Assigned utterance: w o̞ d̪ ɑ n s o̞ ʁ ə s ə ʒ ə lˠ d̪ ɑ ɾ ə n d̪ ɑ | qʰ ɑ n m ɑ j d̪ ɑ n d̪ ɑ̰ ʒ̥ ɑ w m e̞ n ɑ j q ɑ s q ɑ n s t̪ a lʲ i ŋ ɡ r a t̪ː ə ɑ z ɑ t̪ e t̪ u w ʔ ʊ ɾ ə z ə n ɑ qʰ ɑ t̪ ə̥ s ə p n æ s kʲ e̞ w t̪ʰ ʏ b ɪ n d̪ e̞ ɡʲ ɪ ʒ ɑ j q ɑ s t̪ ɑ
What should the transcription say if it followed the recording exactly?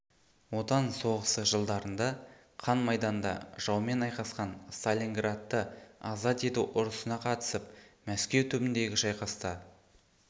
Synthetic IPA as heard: w o̞ t̪ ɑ n s o̞ ʁ ə s ə ʒ ə lˠ d̪ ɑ ɾ ə n d̪ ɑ | qʰ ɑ n m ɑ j d̪ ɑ n d̪ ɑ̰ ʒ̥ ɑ w m e̞ n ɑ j q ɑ s q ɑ n s t̪ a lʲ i ŋ ɡ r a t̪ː ə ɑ z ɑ t̪ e t̪ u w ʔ ʊ ɾ ə s ə n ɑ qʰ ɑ t̪ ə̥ s ə p m æ s kʲ e̞ w t̪ʰ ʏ b ɪ n d̪ e̞ ɡʲ ɪ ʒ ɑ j q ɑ s t̪ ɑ